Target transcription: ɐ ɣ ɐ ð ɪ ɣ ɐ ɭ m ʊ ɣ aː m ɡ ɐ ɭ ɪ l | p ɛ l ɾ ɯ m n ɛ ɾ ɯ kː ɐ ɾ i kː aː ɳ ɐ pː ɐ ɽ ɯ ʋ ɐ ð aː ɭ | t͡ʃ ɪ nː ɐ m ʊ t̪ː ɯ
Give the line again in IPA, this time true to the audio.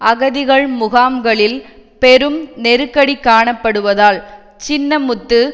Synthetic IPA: ɐ ɣ ɐ ð ɪ ɣ ɐ ɭ m ʊ ɣ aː m ɡ ɐ ɭ ɪ l | p ɛ ɾ ɯ m n ɛ ɾ ɯ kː ɐ ɽ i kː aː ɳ ɐ pː ɐ ɽ ɯ ʋ ɐ ð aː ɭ | t͡ʃ ɪ nː ɐ m ʊ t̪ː ɯ